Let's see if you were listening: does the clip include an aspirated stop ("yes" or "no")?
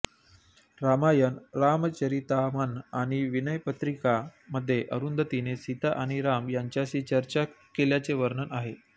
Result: no